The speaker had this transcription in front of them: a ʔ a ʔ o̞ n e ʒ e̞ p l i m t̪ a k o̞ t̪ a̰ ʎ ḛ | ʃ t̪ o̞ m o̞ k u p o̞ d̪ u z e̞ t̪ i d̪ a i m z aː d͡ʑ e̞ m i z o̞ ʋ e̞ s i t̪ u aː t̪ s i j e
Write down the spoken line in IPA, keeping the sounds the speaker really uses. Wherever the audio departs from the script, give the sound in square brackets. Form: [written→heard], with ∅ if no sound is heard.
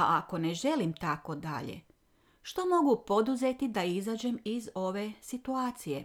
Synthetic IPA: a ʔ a [ʔ→k] o̞ n e ʒ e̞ [p→∅] l i m t̪ a k o̞ [t̪→d̪] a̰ ʎ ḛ | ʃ t̪ o̞ m o̞ [k→ɡ] u p o̞ d̪ u z e̞ t̪ i d̪ a i [m→∅] z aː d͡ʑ e̞ m i z o̞ ʋ e̞ s i t̪ u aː t̪ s i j e